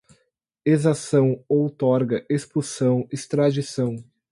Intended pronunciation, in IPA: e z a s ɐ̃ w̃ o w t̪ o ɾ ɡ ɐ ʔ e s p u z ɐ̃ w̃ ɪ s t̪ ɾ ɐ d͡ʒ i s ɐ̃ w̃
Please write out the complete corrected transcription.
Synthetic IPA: e z a s ɐ̃ w̃ o w t̪ ɔ ɾ ɡ ɐ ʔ e s p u s ɐ̃ w̃ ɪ s t̪ ɾ a d͡ʒ i s ɐ̃ w̃